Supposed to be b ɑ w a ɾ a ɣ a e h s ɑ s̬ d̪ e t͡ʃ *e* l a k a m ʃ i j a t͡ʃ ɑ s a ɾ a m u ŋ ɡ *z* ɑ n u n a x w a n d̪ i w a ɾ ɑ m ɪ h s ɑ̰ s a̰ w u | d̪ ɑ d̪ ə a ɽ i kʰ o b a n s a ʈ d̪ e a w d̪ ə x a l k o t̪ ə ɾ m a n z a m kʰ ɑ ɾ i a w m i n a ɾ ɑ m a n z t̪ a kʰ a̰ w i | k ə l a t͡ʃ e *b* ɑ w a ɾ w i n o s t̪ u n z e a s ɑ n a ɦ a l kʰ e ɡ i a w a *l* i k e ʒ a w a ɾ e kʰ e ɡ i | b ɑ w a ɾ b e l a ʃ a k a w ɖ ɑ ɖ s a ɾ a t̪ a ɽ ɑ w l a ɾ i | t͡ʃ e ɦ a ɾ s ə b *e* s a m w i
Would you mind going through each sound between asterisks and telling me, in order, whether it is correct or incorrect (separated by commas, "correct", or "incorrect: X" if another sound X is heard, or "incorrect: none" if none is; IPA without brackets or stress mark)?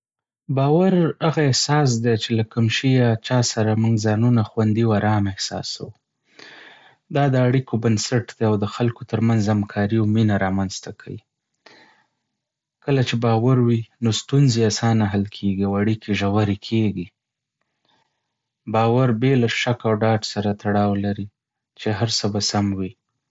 correct, correct, correct, incorrect: ɽ, incorrect: a